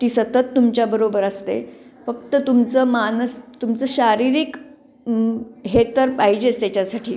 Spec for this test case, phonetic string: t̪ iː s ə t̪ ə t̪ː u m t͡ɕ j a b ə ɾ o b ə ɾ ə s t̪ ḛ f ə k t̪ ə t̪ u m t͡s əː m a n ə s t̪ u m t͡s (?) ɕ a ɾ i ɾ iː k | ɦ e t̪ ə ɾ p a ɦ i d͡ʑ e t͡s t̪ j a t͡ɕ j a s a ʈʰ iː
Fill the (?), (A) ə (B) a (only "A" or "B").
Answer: A